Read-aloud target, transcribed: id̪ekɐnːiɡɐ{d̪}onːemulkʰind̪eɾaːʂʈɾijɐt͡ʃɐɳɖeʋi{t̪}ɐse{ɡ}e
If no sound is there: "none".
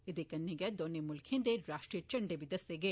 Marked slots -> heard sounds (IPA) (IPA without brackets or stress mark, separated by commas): d̪, d̪, ɡ